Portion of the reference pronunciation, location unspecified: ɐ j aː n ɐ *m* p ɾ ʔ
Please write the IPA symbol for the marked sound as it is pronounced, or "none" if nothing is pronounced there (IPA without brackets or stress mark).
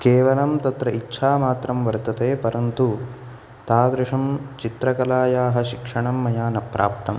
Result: none